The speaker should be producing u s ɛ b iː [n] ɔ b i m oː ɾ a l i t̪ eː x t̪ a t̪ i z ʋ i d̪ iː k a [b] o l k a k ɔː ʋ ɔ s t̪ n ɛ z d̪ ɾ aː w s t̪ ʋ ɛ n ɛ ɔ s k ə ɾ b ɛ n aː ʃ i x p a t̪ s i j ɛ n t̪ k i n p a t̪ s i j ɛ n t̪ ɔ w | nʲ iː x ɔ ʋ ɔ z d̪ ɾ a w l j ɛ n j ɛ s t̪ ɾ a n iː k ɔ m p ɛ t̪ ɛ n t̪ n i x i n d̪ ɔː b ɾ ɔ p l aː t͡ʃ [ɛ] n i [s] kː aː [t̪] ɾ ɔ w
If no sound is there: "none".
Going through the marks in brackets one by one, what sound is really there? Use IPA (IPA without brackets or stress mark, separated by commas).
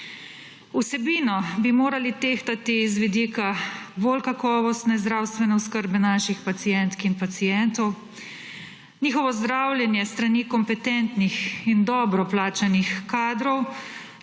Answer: n, b, a, x, d̪